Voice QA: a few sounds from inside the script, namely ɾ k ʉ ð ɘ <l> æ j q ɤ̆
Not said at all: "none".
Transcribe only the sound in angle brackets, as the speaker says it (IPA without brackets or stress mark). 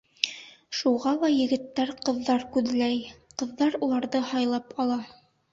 l